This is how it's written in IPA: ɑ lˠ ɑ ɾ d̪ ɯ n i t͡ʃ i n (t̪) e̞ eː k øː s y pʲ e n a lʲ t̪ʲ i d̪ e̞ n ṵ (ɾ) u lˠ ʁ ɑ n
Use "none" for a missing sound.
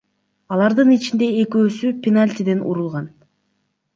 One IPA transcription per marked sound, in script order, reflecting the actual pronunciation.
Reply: d̪, ɾ

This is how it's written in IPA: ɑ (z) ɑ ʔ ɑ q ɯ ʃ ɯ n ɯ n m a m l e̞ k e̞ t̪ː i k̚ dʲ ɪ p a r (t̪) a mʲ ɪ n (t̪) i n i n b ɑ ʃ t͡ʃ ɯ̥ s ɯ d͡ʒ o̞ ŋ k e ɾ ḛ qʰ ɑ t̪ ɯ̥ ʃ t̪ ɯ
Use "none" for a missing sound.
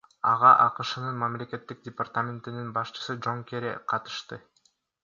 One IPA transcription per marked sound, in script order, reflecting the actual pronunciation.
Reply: ʁ, t̪, t̪

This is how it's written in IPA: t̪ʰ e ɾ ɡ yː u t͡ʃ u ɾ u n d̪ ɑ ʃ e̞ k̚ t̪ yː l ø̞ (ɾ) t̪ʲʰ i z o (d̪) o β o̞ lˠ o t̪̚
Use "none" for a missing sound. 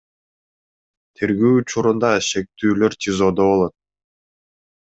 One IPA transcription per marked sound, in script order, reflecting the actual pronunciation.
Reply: ɾ, d̪

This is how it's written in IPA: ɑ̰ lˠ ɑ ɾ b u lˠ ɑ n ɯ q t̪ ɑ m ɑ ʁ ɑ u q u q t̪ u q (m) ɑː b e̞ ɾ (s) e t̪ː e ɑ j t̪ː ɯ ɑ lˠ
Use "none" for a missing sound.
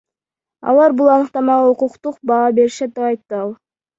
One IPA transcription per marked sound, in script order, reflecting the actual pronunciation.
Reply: b, ʃ

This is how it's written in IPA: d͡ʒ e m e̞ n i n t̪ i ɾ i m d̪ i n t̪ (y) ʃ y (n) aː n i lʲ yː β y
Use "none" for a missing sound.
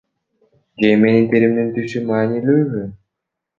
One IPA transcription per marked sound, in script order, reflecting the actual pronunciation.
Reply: y, m

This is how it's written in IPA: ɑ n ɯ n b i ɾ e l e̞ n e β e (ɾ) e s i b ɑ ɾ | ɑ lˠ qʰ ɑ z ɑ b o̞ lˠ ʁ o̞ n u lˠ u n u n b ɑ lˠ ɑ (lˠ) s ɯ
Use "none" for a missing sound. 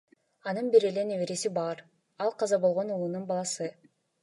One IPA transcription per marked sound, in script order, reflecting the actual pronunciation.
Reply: ɾ, none

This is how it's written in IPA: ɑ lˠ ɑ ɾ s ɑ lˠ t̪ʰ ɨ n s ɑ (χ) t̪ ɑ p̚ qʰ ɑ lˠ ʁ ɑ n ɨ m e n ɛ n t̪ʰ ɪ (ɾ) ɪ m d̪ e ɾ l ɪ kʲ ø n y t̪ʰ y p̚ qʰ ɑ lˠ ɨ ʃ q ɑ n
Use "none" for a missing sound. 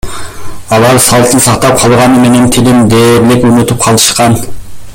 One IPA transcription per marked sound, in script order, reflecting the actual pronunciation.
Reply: χ, l

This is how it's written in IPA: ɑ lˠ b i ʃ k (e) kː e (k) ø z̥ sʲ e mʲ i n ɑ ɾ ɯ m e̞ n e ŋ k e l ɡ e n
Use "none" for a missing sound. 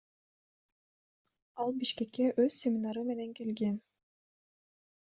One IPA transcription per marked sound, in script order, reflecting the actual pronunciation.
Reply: e, ʔ

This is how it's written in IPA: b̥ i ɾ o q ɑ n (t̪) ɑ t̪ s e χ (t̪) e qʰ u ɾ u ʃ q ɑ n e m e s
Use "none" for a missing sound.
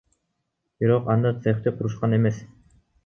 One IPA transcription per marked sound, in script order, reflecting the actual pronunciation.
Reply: d̪, t̪

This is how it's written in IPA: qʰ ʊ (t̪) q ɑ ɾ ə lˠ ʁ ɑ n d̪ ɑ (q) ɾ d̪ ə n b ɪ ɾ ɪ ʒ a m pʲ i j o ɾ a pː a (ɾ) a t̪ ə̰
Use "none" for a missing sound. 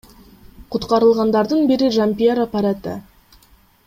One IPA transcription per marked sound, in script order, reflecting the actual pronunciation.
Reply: t̪, none, ɾ

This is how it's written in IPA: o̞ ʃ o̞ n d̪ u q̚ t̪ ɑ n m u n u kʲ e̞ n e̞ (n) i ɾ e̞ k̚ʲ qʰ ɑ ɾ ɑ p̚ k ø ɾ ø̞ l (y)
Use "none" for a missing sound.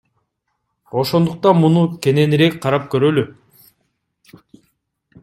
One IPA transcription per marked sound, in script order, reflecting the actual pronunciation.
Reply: n, y

